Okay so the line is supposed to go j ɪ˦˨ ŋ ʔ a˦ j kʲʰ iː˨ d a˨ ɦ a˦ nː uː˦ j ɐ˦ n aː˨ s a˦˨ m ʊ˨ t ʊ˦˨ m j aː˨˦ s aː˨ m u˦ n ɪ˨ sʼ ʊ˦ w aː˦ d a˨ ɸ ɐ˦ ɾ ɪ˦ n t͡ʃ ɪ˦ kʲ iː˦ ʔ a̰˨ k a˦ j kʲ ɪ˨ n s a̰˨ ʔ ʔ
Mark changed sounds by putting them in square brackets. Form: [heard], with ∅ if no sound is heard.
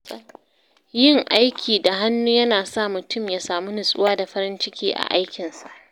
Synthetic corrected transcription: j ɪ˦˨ ŋ ʔ a˦ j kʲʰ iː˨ d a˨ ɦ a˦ nː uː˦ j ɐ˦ n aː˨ s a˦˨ m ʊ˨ t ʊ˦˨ m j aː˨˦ s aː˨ m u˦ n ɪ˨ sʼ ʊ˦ w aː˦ d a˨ ɸ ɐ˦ ɾ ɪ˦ n t͡ʃ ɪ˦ kʲ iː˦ ʔ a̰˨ [ʔ] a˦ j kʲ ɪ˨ n s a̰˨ ʔ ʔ